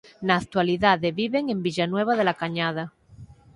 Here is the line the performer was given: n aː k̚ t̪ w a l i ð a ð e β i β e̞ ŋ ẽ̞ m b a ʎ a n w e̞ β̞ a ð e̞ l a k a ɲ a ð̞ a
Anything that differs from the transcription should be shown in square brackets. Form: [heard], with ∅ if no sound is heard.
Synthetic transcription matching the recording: n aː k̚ t̪ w a l i ð a ð e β i β e̞ ŋ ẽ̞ m b [i] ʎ a n w e̞ β̞ a ð e̞ l a k a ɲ a ð̞ a